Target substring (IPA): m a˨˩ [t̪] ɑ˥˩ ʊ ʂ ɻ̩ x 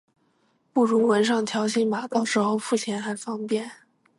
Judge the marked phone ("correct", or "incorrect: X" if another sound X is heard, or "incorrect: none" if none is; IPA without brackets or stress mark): correct